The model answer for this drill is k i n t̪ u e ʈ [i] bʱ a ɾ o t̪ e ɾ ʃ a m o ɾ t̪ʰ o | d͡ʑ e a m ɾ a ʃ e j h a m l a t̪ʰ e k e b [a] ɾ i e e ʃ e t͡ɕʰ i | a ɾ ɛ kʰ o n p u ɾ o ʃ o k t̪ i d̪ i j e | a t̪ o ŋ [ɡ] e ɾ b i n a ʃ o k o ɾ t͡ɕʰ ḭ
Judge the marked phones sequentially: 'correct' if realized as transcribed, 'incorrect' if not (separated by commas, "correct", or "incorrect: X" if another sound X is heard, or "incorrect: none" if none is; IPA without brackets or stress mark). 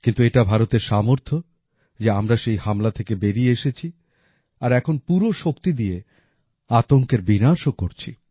incorrect: a, incorrect: e, incorrect: k